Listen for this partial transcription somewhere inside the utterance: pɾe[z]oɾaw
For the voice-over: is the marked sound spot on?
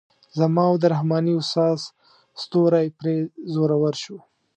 yes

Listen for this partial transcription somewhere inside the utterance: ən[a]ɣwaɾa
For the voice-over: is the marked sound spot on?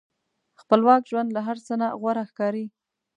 yes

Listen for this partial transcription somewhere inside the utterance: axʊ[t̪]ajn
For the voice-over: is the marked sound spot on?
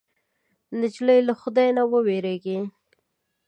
no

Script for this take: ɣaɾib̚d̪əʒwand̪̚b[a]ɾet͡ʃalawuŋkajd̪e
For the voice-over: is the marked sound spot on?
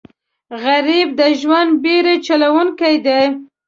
no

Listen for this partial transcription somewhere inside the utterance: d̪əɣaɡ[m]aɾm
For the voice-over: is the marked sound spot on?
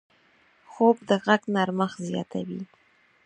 no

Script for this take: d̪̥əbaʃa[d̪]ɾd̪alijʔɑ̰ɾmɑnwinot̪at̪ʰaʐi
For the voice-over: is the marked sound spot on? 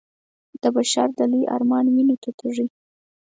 no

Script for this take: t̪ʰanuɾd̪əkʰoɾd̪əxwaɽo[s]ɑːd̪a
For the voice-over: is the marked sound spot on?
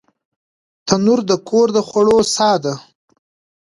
yes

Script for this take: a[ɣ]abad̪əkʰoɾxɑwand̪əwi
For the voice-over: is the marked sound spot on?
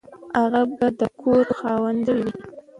yes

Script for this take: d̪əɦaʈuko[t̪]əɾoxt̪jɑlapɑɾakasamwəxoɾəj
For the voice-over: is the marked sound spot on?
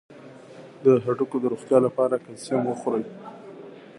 no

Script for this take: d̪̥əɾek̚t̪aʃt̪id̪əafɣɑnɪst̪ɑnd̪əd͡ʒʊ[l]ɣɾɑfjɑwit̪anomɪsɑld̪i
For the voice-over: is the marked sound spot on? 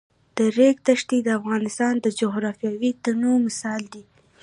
no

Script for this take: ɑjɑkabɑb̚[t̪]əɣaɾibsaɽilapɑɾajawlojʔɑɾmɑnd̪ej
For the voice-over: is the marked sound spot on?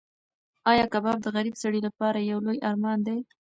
no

